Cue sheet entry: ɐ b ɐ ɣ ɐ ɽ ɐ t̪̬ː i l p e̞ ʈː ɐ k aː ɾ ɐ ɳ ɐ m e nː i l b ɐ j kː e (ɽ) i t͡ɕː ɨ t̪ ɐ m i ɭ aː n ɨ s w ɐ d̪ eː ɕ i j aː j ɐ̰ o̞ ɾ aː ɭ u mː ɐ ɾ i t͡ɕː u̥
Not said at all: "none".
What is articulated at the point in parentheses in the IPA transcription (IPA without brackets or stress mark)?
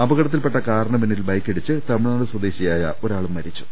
ɽ